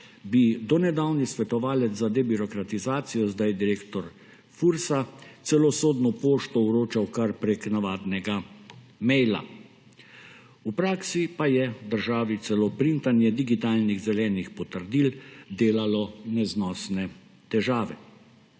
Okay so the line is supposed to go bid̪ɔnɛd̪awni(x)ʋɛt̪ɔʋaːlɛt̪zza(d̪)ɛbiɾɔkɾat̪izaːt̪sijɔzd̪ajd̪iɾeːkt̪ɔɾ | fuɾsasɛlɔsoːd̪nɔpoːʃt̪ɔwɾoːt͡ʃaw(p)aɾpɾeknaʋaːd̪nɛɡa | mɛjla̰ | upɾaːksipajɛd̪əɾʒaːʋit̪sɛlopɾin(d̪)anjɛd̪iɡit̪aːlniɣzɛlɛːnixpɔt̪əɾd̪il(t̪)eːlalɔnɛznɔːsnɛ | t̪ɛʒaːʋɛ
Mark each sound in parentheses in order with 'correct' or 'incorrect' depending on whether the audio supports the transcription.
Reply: incorrect, correct, incorrect, incorrect, incorrect

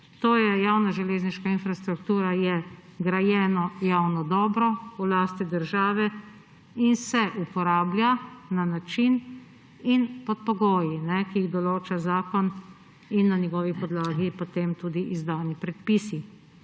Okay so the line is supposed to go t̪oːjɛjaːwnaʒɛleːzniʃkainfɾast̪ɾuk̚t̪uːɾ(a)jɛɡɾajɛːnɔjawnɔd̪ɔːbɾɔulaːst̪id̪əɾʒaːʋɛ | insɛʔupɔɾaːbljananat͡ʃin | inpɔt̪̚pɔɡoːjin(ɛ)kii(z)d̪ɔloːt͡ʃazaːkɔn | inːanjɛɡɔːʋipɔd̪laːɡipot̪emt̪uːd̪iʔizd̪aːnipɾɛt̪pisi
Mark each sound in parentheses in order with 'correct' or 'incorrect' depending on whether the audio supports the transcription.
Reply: correct, correct, incorrect

